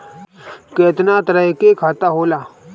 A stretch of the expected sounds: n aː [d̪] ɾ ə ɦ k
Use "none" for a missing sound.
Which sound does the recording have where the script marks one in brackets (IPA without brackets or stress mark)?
t̪